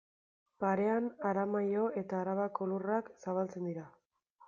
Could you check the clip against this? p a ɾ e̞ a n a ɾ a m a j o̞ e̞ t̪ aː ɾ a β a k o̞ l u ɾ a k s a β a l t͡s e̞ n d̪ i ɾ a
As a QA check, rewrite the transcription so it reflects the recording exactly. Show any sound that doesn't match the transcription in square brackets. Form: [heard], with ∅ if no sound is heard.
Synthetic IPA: p a ɾ e̞ a n a ɾ a m a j o̞ e̞ t̪ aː ɾ a β a k o̞ l u [r] a k s a β a l t͡s e̞ n d̪ i ɾ a